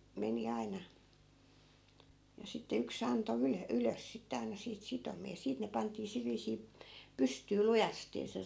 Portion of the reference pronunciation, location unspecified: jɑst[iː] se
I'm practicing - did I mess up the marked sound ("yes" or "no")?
yes